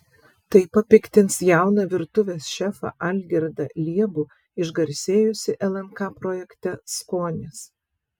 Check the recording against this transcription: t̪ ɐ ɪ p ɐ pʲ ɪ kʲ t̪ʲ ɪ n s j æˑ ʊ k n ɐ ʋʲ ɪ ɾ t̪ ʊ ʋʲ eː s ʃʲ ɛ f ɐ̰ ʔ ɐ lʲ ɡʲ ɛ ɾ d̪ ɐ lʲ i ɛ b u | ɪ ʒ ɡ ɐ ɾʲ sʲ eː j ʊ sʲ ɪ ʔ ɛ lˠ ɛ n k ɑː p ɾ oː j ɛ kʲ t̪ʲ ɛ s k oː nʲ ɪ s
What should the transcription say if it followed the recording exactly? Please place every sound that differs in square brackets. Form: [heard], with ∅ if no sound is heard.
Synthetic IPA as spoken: t̪ ɐ ɪ p ɐ pʲ ɪ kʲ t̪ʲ ɪ n s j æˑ ʊ [∅] n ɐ ʋʲ ɪ ɾ t̪ ʊ ʋʲ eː s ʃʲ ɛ f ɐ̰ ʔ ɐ lʲ ɡʲ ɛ ɾ d̪ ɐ lʲ i ɛ b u | ɪ ʒ ɡ ɐ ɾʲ sʲ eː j ʊ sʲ ɪ ʔ ɛ lˠ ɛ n k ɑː p ɾ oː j ɛ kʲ t̪ʲ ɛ s k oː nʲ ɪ s